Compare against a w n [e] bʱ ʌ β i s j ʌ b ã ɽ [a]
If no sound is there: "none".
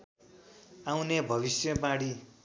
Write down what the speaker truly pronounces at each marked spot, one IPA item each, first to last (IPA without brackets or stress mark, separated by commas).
e, i